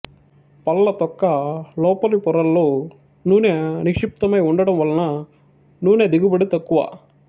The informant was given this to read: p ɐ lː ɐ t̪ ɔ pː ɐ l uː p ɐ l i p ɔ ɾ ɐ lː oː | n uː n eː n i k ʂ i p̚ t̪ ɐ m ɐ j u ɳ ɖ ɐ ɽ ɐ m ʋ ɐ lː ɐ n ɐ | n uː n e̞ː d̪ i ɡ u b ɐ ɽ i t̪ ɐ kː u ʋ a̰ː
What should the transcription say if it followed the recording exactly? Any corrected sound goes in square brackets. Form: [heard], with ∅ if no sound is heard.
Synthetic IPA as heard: p ɐ lː ɐ t̪ ɔ [kː] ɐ l [ɔː] p ɐ l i p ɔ ɾ ɐ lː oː | n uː n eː n i k ʂ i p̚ t̪ ɐ m ɐ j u ɳ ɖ ɐ ɽ ɐ m ʋ ɐ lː ɐ n ɐ | n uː n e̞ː d̪ i ɡ u b ɐ ɽ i t̪ ɐ kː u ʋ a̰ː